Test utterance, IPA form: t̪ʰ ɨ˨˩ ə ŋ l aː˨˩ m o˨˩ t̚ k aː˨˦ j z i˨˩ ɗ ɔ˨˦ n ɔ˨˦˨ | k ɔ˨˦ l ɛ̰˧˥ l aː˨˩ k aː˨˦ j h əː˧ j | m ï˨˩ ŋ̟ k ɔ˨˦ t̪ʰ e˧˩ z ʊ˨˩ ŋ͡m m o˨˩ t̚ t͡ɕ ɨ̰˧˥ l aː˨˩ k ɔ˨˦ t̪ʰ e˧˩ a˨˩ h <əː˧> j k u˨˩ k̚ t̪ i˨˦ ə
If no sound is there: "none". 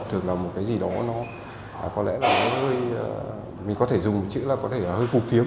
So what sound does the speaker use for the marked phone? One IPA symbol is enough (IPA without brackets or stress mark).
əː˧